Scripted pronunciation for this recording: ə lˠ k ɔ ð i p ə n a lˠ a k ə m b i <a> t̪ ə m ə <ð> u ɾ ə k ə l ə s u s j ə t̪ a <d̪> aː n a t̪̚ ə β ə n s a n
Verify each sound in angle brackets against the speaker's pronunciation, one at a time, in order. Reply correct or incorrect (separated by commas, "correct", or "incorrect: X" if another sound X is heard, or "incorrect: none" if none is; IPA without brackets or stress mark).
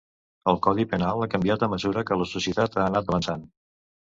correct, incorrect: z, incorrect: t̪